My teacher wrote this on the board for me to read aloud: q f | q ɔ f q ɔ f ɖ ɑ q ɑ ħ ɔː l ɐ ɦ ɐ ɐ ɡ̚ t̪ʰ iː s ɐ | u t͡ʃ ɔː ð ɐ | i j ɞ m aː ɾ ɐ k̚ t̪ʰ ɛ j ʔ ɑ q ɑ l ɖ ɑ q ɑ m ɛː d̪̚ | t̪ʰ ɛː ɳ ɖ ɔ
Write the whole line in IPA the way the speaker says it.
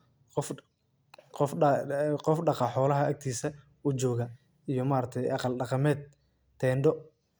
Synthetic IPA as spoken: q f | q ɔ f q ɔ f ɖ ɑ q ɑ ħ ɔː l ɐ ɦ ɐ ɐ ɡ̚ t̪ʰ iː s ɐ | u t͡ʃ ɔː ɣ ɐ | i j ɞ m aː ɾ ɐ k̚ t̪ʰ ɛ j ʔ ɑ q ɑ l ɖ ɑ q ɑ m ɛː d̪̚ | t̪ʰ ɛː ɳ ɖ ɔ